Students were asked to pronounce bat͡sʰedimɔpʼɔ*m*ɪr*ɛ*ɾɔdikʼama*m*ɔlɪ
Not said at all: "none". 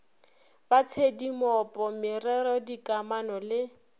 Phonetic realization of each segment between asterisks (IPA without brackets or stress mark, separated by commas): m, ɛ, n